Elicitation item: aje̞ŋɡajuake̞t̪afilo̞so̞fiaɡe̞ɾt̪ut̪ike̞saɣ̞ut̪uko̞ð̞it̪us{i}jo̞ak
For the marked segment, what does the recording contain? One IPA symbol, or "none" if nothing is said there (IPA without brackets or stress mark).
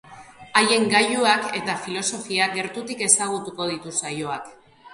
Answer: a